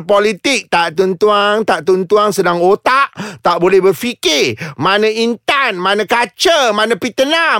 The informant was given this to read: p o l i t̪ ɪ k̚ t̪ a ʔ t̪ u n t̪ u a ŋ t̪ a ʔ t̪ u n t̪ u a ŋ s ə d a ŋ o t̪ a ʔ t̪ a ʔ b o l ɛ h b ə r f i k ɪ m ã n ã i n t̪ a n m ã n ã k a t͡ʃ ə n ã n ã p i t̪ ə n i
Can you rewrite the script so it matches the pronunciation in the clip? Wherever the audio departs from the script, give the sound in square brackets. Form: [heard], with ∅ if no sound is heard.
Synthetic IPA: p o l i t̪ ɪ k̚ t̪ a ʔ t̪ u n t̪ u a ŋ t̪ a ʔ t̪ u n t̪ u a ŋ s ə d a ŋ o t̪ a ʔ t̪ a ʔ b o l ɛ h b ə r f i k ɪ m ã n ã i n t̪ a n m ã n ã k a t͡ʃ ə [m] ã n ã p i t̪ ə n [a]